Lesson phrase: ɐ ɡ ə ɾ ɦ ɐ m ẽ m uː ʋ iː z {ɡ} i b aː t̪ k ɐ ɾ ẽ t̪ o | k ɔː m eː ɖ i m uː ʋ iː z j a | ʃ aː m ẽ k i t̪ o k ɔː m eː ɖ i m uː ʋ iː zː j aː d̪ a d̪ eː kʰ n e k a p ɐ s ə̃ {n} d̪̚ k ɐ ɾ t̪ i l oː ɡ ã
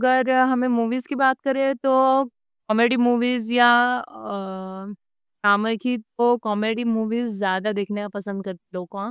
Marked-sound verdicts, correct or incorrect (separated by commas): incorrect, correct